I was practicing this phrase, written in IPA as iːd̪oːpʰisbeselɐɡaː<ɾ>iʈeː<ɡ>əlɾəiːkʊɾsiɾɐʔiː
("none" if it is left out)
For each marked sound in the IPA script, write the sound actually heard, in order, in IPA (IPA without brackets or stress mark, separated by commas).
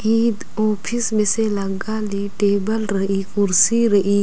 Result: l, b